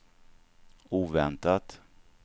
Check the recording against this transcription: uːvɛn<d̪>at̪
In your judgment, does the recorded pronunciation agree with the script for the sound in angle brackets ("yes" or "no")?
no